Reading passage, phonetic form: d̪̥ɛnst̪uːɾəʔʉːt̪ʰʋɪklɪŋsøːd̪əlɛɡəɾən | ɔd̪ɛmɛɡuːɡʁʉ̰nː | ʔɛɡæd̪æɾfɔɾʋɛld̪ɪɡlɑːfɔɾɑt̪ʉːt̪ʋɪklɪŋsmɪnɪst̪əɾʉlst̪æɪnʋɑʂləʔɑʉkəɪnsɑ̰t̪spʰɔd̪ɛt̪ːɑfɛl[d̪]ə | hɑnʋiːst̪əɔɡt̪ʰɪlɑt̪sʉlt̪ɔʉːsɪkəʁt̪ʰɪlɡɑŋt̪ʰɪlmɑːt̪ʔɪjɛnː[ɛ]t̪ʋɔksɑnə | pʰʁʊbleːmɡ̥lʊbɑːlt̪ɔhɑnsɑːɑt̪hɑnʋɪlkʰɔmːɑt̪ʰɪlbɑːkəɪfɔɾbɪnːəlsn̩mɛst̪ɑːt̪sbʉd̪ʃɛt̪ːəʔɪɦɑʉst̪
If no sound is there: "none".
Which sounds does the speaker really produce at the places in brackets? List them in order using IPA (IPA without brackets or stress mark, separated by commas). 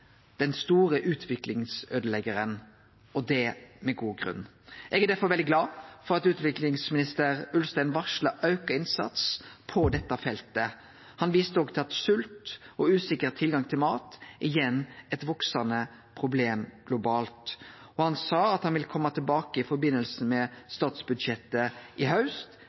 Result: t̪, ɛ